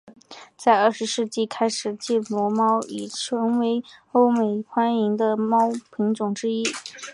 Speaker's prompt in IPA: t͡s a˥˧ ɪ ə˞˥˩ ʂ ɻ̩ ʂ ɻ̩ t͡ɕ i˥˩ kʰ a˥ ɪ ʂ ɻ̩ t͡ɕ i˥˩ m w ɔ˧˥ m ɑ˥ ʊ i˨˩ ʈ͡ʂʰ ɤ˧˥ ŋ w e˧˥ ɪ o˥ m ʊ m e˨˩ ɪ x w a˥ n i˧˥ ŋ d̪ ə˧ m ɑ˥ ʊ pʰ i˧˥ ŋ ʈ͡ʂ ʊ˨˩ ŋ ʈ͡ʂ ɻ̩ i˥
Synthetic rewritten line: t͡s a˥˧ ɪ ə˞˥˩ ʂ ɻ̩ ʂ ɻ̩ t͡ɕ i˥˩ kʰ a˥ ɪ ʂ ɻ̩ t͡ɕ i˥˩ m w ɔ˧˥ m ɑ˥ ʊ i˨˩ ʈ͡ʂʰ ɤ˧˥ ŋ w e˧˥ ɪ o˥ ʊ m e˨˩ ɪ x w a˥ n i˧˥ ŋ d̪ ə˧ m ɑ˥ ʊ pʰ i˧˥ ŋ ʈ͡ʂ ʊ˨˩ ŋ ʈ͡ʂ ɻ̩ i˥